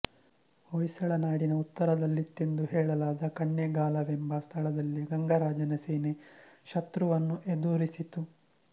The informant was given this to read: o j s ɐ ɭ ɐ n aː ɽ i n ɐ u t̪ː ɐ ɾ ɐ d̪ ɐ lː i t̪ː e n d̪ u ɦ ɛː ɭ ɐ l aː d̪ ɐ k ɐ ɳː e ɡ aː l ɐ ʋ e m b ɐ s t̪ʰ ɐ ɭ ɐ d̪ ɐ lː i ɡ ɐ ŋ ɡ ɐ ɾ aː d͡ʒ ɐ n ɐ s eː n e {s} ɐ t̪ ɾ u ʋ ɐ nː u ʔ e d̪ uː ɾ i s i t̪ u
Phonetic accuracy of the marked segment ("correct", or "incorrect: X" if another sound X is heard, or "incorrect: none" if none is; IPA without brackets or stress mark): incorrect: ʃ